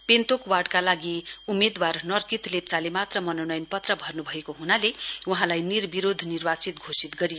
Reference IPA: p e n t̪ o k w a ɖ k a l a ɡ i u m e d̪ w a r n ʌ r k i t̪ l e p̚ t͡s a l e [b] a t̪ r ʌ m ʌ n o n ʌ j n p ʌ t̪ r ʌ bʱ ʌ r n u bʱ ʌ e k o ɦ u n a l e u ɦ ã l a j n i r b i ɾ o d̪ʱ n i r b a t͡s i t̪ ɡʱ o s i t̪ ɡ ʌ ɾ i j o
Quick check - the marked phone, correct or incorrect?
incorrect